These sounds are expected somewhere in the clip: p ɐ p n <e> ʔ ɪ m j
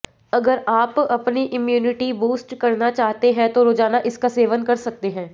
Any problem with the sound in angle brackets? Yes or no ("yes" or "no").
yes